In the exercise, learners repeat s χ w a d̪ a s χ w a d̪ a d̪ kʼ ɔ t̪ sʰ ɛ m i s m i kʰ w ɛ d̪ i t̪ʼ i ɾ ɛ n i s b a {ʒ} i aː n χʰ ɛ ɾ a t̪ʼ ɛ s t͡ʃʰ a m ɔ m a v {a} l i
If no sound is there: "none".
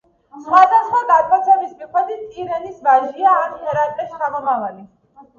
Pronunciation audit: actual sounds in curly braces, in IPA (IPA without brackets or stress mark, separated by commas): ʒ, a